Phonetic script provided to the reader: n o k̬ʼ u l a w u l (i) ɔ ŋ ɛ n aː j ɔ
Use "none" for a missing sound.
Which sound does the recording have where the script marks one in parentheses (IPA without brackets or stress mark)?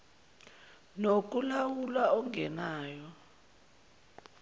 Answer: a